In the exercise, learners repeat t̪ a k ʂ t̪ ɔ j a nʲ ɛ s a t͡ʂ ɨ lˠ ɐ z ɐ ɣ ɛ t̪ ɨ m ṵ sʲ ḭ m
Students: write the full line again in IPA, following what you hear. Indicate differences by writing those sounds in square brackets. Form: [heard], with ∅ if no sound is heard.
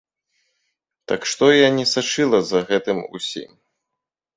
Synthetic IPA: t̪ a k ʂ t̪ ɔ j a nʲ ɛ s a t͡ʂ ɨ lˠ ɐ z ɐ ɣ ɛ t̪ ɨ m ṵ sʲ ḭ m